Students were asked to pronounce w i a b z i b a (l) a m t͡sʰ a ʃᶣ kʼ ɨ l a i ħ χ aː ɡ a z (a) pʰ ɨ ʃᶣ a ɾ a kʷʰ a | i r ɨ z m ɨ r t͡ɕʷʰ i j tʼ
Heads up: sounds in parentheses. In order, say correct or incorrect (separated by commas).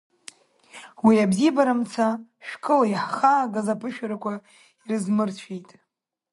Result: incorrect, correct